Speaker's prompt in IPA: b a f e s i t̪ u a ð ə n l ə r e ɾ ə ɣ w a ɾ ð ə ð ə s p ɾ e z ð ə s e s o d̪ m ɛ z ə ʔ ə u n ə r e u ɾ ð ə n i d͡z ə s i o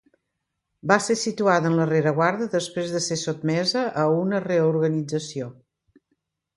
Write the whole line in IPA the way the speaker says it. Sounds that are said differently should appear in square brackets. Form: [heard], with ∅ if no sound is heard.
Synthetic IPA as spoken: b a [s] e s i t̪ u a ð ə n l ə r e ɾ ə ɣ w a ɾ ð ə ð ə s p ɾ e z ð ə s e s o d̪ m ɛ z ə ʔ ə u n ə r e u ɾ [ɣ] ə n i d͡z ə s i o